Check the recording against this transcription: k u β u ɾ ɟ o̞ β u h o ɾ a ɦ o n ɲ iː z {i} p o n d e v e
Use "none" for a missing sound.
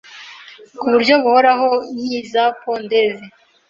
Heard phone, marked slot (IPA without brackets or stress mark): a